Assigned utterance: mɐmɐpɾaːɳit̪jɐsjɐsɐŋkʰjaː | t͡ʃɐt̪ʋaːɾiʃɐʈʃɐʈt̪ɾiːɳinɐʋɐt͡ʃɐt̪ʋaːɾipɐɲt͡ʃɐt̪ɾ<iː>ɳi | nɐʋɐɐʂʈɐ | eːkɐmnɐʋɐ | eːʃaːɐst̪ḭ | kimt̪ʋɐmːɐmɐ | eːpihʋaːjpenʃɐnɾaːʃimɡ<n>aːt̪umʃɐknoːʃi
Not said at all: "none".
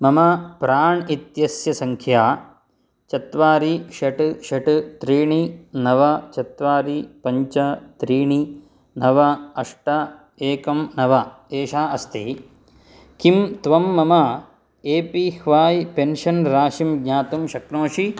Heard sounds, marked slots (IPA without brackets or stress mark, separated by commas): iː, ɲ